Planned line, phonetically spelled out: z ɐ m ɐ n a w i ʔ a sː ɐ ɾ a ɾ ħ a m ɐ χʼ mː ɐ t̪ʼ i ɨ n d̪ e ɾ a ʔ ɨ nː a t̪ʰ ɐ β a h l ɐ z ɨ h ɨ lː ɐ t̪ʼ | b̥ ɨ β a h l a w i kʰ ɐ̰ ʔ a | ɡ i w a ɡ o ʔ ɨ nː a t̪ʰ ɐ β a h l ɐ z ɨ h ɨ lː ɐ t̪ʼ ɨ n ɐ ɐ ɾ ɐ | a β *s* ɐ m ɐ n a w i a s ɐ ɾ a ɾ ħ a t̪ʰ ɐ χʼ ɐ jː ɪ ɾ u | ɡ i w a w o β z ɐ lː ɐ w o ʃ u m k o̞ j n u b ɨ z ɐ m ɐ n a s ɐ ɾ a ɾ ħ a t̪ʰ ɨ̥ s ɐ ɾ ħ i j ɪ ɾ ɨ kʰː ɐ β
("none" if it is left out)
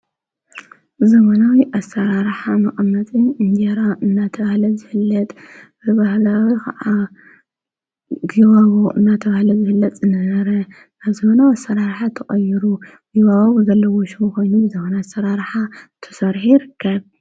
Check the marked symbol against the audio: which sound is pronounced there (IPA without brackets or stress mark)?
z